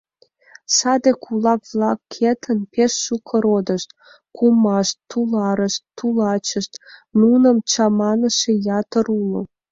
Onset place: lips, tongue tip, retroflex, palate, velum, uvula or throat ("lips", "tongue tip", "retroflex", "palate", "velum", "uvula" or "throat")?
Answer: tongue tip